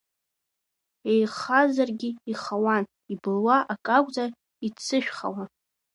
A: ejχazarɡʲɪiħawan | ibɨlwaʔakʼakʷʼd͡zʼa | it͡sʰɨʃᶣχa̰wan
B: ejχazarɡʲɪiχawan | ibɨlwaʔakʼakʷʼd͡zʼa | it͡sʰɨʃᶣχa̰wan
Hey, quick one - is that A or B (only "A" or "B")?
B